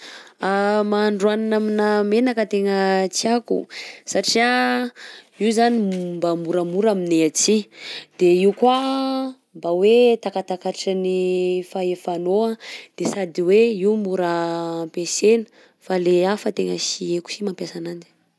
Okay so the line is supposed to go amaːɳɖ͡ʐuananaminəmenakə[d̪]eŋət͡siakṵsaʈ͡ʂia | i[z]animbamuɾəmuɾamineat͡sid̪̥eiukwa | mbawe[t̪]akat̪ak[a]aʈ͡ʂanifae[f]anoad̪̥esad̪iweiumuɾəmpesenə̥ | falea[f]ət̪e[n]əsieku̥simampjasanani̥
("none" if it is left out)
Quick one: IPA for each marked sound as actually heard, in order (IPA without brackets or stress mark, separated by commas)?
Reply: t̪, z, t̪, a, f, f, ŋ